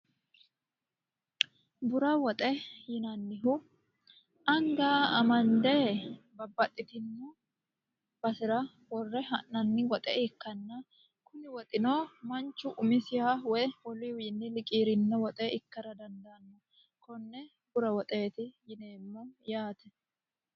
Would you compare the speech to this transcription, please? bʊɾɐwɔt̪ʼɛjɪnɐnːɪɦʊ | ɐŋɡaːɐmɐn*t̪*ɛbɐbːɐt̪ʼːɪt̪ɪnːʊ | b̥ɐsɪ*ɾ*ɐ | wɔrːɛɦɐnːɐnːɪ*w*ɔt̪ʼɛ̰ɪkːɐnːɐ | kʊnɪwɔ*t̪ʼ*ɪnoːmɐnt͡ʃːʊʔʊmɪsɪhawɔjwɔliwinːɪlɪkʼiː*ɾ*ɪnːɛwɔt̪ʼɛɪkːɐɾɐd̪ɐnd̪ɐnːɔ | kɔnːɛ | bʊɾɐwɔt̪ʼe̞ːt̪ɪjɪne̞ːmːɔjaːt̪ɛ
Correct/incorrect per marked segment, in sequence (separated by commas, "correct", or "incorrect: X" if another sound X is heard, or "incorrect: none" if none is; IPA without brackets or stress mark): incorrect: d̪, correct, correct, correct, correct